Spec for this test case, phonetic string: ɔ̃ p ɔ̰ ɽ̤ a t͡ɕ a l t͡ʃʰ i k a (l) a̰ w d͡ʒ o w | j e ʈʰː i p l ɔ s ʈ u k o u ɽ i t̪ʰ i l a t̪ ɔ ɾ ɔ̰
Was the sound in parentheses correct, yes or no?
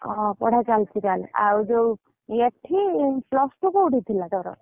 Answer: yes